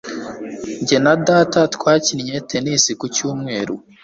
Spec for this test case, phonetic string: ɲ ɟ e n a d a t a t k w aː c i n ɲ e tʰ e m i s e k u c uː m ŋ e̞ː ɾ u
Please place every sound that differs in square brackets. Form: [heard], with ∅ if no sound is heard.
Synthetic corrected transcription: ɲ ɟ e n a d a t a t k w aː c i n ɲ e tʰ e [n] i s [i] k u c uː m ŋ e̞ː ɾ u